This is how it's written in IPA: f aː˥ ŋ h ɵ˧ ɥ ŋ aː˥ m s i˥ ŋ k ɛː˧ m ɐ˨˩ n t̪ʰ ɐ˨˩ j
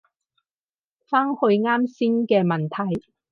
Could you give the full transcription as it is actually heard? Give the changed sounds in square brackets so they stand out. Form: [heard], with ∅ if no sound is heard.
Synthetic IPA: f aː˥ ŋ h ɵ˧ ɥ ŋ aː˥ m s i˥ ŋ k ɛː˧ m ɐ˨˩ n t̪ʰ ɐ˨˩ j